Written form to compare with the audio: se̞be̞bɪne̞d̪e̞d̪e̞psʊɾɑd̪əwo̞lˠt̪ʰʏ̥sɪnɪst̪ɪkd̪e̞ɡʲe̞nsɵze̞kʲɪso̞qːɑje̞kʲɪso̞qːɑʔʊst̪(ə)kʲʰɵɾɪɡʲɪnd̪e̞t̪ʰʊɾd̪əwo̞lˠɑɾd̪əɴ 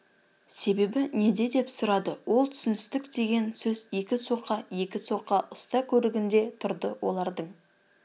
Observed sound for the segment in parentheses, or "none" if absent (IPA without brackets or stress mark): ɑ